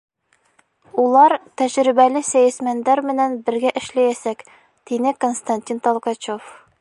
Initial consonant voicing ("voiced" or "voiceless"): voiced